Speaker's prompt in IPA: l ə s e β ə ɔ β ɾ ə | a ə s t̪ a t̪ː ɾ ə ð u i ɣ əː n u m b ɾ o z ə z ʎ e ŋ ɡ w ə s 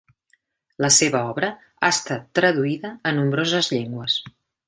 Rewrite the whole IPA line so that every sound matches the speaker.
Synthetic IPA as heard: l ə s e β ə ɔ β ɾ ə | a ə s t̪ a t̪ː ɾ ə ð u i ð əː n u m b ɾ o z ə z ʎ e ŋ ɡ w ə s